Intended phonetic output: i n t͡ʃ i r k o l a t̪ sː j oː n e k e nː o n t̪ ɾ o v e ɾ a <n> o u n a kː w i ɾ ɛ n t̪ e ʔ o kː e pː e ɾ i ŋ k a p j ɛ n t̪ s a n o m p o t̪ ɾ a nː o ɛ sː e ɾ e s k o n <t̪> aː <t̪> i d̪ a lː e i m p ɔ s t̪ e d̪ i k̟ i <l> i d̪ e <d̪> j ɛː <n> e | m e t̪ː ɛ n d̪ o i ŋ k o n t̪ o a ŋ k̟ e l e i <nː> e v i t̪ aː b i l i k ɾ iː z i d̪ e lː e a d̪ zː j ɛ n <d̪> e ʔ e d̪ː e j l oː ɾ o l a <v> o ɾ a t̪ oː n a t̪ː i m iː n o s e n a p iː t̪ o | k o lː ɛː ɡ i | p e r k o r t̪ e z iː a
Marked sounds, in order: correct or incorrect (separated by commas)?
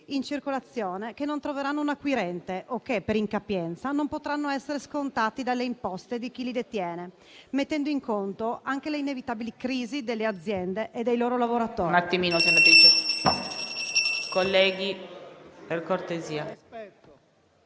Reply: incorrect, correct, correct, correct, incorrect, correct, incorrect, correct, correct